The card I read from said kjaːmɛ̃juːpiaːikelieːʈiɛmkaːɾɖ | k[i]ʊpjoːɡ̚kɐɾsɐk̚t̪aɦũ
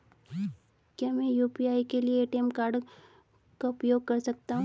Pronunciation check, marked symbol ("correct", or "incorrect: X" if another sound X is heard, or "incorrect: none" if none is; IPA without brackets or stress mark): incorrect: a